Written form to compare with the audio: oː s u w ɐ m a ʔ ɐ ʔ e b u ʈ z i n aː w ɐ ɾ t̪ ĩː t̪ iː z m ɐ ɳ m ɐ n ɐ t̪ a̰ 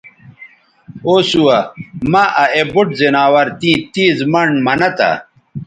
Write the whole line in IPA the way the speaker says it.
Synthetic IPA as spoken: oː s u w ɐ m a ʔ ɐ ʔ e b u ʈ z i n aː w ɐ ɾ t̪ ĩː t̪ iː z m ɐ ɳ m ɐ n ɐ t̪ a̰